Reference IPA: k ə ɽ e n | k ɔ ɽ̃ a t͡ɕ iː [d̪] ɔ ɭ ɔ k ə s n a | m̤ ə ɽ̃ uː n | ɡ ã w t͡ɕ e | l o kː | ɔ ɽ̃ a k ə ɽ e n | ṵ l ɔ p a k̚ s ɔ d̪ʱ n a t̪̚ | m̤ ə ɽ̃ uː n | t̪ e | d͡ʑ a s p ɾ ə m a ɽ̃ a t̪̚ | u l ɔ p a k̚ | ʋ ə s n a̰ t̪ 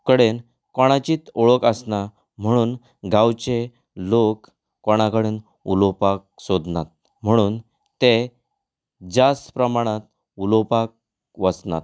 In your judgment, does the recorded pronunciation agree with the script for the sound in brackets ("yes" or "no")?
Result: no